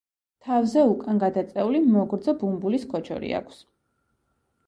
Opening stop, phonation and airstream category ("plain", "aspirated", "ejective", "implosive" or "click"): aspirated